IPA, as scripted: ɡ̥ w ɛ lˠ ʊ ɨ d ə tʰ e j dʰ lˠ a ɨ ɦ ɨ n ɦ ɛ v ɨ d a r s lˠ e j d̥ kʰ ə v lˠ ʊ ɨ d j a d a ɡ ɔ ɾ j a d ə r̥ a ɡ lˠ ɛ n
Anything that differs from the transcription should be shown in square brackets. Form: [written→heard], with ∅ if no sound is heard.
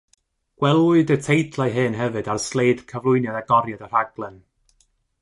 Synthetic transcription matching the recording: ɡ̥ w ɛ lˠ ʊ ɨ d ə tʰ e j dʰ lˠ a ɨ ɦ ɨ n ɦ ɛ v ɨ d a r s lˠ e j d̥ kʰ ə v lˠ ʊ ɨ [d→n] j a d a ɡ ɔ ɾ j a d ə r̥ a ɡ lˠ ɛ n

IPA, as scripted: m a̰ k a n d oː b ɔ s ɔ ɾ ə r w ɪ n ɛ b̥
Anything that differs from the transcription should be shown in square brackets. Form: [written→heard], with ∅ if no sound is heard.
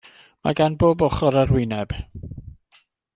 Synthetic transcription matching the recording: m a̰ [k→ɡ] a n [d→b] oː b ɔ [s→χ] ɔ ɾ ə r w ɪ n ɛ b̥

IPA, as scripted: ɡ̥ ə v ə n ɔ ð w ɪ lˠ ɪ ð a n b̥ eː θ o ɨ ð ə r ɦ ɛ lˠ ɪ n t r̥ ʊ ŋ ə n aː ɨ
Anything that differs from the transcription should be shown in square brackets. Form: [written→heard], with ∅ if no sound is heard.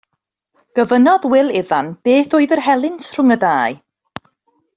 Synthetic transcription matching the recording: ɡ̥ ə v ə n ɔ ð w ɪ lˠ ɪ ð a n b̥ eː θ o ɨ ð ə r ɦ ɛ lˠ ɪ n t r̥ ʊ ŋ ə [n→d] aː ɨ

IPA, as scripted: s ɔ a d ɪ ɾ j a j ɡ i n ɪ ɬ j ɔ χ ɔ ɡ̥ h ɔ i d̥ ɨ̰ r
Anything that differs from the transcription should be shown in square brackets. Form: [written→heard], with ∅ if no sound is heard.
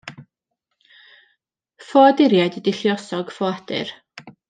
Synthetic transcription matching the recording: [s→f] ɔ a d ɪ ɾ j a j [ɡ→d] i [n→d] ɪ ɬ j ɔ [χ→s] ɔ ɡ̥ [h→f] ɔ [i→a] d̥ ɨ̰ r

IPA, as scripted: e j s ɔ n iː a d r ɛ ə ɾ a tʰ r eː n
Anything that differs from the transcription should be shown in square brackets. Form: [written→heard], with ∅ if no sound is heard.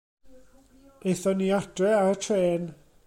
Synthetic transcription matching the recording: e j [s→θ] ɔ n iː a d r ɛ [ə→a] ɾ [a→ə] tʰ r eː n

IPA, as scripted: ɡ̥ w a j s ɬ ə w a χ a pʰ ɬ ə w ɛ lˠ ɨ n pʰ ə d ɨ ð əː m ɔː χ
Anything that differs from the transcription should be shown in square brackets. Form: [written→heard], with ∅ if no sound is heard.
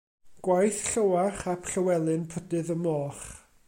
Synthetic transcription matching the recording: ɡ̥ w a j [s→θ] ɬ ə w a χ a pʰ ɬ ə w ɛ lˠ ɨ n pʰ ə d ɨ ð [əː→ə] m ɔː χ

